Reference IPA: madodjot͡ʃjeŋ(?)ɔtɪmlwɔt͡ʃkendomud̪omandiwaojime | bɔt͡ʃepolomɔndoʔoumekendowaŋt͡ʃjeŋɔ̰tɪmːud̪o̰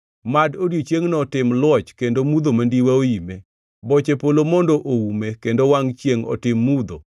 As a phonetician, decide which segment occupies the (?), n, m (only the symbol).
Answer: n